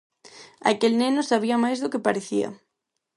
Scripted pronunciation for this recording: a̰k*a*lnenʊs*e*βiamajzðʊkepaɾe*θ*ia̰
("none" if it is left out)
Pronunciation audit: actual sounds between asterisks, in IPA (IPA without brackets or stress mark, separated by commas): e, a, θ